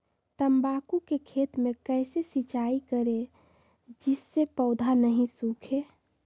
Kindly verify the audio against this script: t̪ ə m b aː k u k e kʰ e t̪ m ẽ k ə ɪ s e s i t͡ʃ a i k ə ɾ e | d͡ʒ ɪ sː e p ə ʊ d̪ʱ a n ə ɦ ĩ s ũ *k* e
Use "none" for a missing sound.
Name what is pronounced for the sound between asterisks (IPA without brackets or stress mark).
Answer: kʰ